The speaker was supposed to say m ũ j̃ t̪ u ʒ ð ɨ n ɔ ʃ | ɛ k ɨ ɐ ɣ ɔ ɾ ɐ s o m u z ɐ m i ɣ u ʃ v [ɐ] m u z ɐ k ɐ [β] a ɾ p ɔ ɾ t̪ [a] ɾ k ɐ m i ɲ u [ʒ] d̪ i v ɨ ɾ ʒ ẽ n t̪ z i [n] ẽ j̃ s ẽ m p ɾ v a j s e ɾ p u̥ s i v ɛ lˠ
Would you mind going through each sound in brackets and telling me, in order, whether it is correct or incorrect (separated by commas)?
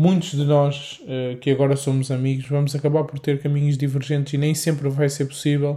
correct, correct, incorrect, correct, correct